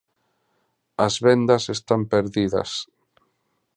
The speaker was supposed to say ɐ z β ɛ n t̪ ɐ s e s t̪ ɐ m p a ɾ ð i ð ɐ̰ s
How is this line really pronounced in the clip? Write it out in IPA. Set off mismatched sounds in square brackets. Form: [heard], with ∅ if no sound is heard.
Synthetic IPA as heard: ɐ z β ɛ n [d̪] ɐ s e s t̪ [a] m p [e] ɾ ð i ð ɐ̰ s